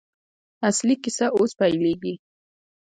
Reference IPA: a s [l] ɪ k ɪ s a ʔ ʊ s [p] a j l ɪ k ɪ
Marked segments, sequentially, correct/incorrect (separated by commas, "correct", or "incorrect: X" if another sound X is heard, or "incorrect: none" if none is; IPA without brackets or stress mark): correct, correct